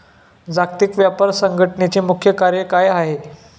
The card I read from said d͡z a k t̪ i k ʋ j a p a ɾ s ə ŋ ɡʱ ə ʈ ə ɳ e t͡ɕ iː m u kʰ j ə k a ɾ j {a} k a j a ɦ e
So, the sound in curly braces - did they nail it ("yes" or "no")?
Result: no